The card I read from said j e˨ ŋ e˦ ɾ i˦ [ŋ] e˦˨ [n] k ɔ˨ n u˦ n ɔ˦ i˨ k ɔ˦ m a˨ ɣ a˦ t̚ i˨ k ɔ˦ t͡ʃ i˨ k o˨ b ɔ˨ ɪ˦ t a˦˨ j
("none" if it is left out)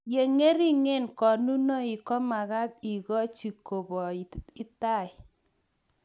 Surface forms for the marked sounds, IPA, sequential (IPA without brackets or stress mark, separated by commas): ŋ, n